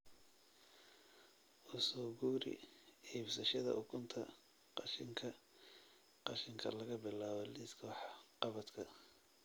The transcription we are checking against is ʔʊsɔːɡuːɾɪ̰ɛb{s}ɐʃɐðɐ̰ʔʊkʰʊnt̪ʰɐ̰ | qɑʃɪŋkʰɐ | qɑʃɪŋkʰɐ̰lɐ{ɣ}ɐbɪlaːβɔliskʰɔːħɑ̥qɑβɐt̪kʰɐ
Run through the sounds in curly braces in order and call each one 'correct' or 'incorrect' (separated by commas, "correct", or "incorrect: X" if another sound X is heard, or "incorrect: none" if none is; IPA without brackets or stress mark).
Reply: correct, correct